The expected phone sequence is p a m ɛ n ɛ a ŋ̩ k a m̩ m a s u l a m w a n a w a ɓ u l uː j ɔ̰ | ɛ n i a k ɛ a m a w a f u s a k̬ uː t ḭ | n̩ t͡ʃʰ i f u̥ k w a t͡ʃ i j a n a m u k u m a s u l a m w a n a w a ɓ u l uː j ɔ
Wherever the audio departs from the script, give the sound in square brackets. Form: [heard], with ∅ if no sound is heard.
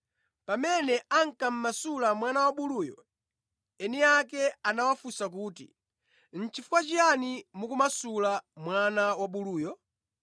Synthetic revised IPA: p a m ɛ n ɛ a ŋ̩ k a m̩ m a s u l a m w a n a w a ɓ u l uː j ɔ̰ | ɛ n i a k ɛ a [n] a w a f u s a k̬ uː t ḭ | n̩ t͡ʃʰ i f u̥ k w a t͡ʃ i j a n [i] m u k u m a s u l a m w a n a w a ɓ u l uː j ɔ